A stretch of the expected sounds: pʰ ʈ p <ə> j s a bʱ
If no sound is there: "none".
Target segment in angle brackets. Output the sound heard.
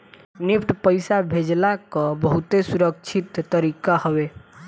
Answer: ə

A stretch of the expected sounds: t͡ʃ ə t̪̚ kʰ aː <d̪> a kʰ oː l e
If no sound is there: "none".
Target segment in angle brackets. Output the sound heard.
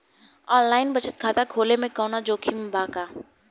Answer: t̪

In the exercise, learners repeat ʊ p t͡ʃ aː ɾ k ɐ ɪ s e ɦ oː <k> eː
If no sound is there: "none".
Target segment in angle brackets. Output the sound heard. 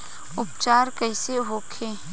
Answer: kʰ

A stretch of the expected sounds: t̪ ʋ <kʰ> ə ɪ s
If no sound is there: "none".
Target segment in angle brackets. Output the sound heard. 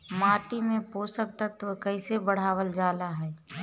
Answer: k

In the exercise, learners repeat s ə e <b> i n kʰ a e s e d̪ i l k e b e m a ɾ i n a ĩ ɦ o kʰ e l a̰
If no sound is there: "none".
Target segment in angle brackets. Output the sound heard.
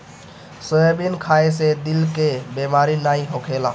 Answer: b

